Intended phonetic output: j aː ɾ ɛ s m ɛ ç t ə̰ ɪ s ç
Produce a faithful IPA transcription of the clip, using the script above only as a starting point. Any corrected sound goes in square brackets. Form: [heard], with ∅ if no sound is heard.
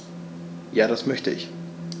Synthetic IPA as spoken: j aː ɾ [a] s m [œ] ç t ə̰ ɪ [∅] ç